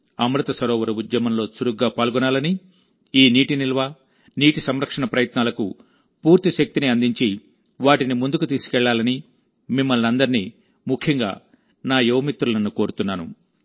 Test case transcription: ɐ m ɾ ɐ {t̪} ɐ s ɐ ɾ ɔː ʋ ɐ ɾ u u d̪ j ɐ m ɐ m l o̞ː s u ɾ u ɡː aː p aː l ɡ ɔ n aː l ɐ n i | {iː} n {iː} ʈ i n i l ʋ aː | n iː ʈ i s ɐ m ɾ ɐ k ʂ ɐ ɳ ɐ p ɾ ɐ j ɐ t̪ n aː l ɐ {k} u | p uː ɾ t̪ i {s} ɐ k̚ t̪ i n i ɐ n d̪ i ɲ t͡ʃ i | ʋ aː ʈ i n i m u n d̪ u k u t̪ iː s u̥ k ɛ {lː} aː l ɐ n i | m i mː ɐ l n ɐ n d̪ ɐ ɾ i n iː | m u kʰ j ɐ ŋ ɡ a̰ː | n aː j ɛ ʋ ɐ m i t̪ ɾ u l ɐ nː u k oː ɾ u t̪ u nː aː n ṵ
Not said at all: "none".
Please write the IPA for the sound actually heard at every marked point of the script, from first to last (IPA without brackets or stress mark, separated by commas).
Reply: t̪, iː, iː, k, ʃ, ɭː